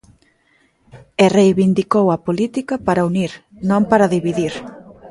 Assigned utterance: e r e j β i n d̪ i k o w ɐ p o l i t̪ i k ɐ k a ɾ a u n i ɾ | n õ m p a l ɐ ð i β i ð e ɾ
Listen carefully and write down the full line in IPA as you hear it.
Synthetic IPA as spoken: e r e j β i n d̪ i k o w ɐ p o l i t̪ i k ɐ p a ɾ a u n i ɾ | n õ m p a ɾ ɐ ð i β i ð i ɾ